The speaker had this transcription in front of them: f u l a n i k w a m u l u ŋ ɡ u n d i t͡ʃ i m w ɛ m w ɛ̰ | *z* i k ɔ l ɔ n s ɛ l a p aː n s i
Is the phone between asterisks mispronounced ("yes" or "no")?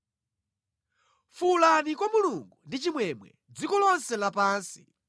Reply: yes